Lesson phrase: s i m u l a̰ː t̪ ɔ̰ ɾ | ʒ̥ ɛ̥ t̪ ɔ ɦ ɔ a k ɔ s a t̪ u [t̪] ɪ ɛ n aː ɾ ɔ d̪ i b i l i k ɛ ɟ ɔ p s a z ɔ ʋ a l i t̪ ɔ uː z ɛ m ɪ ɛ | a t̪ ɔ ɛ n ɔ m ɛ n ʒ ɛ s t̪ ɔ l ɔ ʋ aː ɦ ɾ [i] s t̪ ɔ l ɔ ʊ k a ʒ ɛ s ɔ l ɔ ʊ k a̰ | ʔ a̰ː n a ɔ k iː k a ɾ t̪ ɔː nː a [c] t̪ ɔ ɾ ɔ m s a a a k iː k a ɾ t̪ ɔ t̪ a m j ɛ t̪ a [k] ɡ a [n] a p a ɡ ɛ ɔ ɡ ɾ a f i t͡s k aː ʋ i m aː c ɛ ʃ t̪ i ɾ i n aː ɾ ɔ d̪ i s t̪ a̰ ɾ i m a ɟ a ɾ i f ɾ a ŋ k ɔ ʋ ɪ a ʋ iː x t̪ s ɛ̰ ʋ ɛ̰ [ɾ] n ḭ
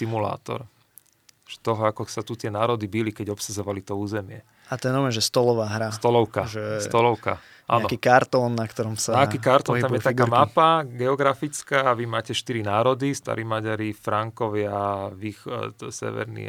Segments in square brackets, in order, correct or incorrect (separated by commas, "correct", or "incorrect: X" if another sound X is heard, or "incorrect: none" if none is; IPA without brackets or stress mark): correct, incorrect: a, incorrect: k, correct, incorrect: m, correct